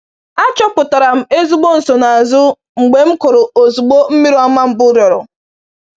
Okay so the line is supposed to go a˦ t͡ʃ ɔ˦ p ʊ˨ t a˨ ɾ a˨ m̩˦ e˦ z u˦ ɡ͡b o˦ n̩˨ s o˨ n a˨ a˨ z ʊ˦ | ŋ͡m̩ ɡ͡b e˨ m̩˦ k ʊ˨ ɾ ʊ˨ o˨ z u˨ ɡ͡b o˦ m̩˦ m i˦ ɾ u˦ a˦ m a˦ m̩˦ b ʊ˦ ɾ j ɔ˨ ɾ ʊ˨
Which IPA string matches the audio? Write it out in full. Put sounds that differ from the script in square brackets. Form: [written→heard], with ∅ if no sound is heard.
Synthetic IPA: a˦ t͡ʃ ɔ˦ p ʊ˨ t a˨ ɾ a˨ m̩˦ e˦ z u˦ ɡ͡b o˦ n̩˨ s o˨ n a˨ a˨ z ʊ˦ | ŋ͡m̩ ɡ͡b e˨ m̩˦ k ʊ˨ ɾ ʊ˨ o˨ z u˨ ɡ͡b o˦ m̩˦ m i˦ ɾ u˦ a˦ m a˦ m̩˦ b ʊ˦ ɾ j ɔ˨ ɾ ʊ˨